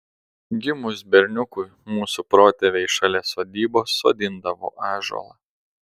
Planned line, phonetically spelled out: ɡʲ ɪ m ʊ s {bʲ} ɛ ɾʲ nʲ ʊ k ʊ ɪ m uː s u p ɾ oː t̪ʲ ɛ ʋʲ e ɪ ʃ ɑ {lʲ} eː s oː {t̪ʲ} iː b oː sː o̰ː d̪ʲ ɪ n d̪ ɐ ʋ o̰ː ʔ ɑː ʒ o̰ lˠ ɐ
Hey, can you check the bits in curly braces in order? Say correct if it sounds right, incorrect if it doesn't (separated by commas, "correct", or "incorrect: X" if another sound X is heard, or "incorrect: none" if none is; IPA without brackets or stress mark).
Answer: correct, correct, incorrect: d̪ʲ